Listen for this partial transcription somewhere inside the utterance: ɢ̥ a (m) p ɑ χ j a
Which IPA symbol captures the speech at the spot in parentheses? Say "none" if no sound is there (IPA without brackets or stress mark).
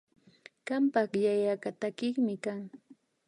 m